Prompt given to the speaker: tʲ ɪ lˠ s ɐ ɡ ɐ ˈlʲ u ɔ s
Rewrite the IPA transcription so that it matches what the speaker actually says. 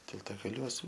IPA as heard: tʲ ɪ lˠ t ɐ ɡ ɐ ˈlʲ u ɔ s